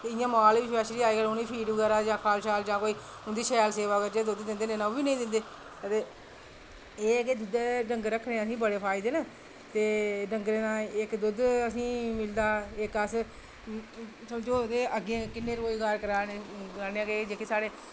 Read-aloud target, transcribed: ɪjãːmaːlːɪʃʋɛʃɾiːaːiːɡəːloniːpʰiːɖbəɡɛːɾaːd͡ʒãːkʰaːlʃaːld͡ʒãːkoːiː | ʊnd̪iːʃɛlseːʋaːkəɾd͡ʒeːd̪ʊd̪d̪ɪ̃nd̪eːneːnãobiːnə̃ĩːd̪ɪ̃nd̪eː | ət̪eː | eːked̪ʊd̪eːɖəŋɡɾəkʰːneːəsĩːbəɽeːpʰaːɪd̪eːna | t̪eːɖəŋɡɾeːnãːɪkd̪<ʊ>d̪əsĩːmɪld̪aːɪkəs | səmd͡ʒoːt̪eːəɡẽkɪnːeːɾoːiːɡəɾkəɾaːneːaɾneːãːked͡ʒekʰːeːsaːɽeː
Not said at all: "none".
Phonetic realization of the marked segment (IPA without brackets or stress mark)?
ʊ